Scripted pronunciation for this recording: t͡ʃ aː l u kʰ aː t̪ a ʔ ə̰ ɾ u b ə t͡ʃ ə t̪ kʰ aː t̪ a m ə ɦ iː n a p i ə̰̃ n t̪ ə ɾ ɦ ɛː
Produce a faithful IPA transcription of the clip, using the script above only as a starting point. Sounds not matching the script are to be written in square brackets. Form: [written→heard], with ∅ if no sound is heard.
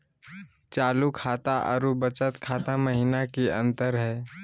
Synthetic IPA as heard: t͡ʃ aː l u kʰ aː t̪ a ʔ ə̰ ɾ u b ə t͡ʃ ə t̪ kʰ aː t̪ a m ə ɦ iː n a [p→k] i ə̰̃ n t̪ ə ɾ ɦ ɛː